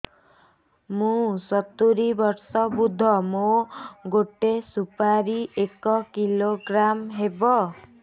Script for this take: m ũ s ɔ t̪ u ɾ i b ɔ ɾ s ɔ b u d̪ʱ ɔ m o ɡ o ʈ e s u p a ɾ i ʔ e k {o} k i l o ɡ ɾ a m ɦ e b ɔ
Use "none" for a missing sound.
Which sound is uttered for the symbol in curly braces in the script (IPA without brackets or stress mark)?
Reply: ɔ